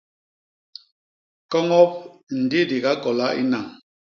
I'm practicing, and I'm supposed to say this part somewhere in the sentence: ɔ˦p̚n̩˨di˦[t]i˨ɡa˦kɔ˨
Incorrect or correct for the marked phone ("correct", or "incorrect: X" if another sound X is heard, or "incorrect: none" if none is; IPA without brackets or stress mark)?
incorrect: d